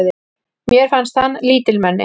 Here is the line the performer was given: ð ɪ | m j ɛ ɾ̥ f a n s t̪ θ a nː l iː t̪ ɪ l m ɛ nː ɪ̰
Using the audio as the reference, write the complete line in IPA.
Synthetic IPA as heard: ð ɪ | m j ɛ ɾ̥ f a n s t̪ h a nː l iː t̪ ɪ l m ɛ nː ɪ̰